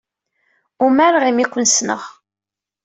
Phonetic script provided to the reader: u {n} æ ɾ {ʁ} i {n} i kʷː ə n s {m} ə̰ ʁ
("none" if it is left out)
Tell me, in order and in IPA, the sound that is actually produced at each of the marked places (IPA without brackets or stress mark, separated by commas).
m, ʁ, m, n